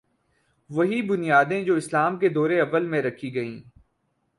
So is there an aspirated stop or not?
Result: yes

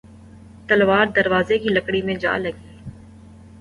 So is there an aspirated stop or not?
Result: no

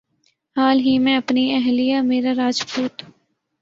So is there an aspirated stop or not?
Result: no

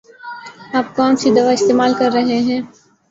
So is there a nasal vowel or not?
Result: yes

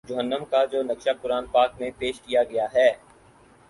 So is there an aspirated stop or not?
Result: no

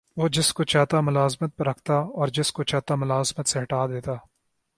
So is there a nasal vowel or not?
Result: no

